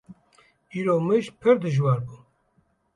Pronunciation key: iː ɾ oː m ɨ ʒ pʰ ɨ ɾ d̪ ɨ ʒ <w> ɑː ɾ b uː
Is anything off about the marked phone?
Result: no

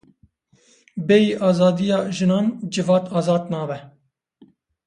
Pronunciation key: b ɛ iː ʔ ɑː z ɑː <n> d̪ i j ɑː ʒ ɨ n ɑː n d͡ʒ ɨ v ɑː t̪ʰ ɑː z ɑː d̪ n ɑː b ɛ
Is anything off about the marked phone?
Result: yes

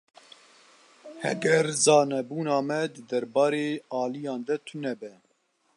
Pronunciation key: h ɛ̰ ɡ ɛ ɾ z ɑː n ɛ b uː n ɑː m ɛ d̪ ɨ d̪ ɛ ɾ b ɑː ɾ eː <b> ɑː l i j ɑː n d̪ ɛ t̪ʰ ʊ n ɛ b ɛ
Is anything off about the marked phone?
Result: yes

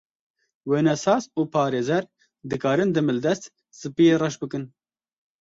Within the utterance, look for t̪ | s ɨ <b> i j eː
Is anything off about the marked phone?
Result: yes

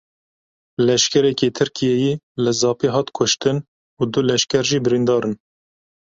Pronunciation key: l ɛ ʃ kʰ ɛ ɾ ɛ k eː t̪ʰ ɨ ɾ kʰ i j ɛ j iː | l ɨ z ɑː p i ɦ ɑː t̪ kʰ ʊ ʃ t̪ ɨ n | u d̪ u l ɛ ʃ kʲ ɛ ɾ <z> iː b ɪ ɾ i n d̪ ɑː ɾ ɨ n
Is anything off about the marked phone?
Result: yes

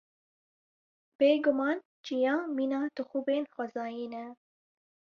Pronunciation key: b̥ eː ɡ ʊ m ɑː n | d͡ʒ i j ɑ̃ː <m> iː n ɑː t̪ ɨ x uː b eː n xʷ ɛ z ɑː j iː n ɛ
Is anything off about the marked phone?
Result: no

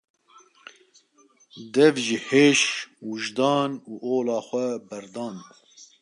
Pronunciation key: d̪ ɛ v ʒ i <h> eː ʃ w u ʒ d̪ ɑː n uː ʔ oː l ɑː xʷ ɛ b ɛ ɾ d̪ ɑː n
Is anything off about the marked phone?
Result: no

